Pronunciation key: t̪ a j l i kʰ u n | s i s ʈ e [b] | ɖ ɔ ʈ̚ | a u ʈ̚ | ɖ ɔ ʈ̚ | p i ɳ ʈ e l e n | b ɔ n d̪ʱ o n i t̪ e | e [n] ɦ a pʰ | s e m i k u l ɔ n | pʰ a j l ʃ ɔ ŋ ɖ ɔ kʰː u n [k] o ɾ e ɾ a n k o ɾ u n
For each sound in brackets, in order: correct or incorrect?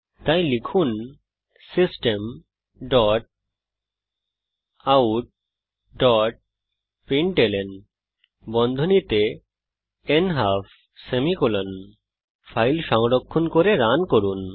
incorrect, correct, correct

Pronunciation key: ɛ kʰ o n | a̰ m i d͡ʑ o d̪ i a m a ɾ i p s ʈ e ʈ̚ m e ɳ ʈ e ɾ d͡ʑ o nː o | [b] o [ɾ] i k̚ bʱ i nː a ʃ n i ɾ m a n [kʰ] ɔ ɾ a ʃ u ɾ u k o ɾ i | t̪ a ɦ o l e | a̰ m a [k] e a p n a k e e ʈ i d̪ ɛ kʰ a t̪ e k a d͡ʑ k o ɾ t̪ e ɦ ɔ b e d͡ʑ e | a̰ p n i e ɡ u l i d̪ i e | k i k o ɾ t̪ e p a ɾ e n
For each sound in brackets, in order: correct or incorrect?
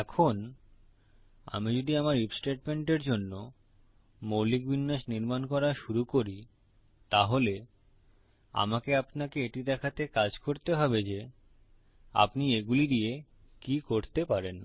incorrect, incorrect, incorrect, correct

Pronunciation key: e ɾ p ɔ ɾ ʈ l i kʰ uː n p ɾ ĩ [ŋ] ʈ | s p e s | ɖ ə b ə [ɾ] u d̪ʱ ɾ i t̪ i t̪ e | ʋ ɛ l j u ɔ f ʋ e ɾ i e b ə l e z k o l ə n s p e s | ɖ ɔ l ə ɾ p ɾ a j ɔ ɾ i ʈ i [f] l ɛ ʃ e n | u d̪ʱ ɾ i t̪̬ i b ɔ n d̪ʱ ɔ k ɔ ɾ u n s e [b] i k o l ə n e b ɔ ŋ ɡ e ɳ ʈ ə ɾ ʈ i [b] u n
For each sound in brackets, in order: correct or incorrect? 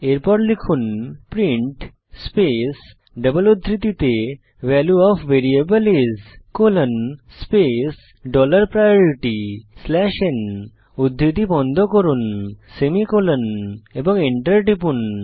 incorrect, incorrect, incorrect, incorrect, incorrect

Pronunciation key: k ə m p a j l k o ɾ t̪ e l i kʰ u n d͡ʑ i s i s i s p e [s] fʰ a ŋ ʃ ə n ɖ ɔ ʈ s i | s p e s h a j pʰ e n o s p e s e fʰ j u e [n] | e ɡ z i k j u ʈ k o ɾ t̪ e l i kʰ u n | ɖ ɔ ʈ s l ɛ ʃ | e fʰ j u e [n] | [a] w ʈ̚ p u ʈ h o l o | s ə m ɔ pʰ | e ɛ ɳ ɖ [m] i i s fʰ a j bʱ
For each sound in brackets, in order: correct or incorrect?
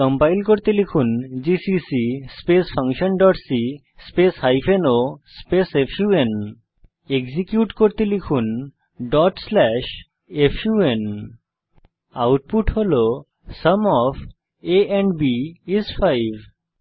correct, correct, correct, correct, incorrect

